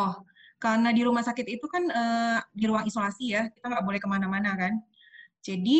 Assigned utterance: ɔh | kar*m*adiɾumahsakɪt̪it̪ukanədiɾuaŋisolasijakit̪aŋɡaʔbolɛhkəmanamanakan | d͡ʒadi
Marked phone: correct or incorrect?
incorrect